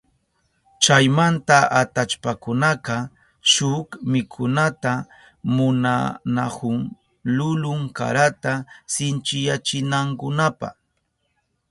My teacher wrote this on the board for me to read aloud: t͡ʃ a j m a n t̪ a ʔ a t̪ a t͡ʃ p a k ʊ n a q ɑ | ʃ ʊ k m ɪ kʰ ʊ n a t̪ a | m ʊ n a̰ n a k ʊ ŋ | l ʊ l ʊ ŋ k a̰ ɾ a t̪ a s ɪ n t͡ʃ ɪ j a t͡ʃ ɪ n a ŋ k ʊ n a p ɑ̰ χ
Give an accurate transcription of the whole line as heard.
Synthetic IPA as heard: t͡ʃ a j m a n t̪ a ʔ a t̪ a t͡ʃ p a k ʊ n a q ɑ | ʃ ʊ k m ɪ kʰ ʊ n a t̪ a | m ʊ n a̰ n a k ʊ ŋ | l ʊ l ʊ ŋ k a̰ ɾ a t̪ a s ɪ n t͡ʃ ɪ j a t͡ʃ ɪ n a ŋ k ʊ n a p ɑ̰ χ